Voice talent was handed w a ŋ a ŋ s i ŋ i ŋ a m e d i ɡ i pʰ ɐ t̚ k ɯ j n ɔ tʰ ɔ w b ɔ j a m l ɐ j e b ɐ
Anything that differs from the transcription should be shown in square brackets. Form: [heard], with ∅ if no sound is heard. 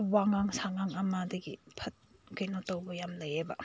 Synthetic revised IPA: w a ŋ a ŋ s [a] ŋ [a] ŋ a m [a] d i ɡ i pʰ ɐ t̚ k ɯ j n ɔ [t] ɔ w b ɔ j a m l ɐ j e b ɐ